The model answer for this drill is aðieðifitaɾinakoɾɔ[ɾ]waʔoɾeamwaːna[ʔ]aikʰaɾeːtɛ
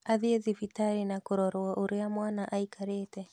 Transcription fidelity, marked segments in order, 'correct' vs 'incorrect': correct, correct

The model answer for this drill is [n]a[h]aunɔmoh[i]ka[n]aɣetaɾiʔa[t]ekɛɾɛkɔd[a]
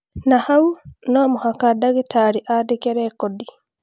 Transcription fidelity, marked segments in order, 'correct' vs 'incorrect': correct, correct, incorrect: a, incorrect: d, incorrect: d, incorrect: i

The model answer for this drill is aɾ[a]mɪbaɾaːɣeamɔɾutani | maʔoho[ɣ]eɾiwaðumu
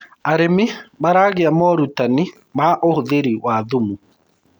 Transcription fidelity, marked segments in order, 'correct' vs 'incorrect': incorrect: e, incorrect: ð

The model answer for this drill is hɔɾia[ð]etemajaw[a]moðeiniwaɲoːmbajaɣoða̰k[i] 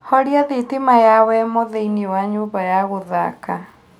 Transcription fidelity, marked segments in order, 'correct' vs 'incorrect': correct, incorrect: ɛ, incorrect: a

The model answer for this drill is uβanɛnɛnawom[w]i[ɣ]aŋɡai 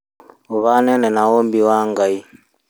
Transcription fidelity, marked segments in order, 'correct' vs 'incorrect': incorrect: b, incorrect: w

